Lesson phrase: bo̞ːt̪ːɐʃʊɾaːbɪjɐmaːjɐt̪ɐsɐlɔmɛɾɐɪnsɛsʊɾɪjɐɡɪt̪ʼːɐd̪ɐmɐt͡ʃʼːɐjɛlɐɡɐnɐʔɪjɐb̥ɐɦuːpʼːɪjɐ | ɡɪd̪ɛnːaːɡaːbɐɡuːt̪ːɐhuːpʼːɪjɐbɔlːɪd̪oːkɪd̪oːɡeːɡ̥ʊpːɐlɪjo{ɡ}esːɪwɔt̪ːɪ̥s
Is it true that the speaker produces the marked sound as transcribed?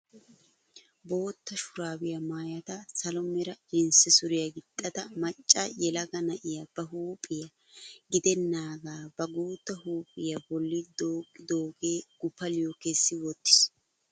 no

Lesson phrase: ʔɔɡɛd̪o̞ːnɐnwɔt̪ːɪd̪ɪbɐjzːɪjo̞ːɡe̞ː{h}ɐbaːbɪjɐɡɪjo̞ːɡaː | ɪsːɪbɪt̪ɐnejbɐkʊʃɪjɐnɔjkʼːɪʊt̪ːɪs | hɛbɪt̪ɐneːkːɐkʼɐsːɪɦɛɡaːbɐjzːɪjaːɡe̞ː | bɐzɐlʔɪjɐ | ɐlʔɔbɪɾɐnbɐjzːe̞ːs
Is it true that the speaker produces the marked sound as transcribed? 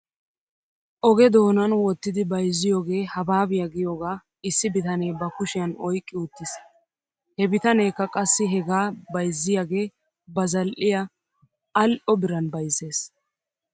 yes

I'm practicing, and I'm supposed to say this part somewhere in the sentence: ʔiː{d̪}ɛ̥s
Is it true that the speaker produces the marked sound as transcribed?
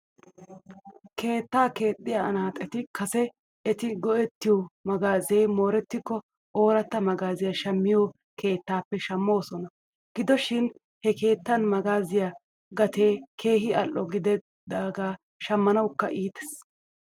no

